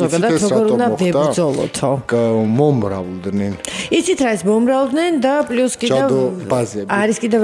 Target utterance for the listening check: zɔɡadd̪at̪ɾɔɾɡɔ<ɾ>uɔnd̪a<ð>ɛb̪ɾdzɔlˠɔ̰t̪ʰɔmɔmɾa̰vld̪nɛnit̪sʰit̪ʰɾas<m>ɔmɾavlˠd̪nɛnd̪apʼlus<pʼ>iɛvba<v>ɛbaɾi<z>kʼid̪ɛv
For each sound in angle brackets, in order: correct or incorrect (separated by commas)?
correct, incorrect, correct, incorrect, incorrect, incorrect